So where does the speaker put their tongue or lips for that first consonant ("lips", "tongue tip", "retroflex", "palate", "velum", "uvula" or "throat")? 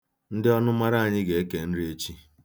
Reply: tongue tip